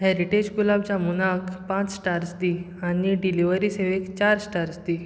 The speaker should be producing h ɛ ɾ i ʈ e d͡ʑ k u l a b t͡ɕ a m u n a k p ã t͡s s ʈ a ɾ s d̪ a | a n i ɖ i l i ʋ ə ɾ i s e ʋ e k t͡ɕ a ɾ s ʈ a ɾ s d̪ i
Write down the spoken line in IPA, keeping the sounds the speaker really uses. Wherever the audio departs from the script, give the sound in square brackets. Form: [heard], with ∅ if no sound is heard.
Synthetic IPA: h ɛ ɾ i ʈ e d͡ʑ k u l a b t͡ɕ a m u n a k p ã t͡s s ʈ a ɾ s d̪ [i] | a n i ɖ i l i ʋ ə ɾ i s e ʋ e k t͡ɕ a ɾ s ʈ a ɾ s d̪ i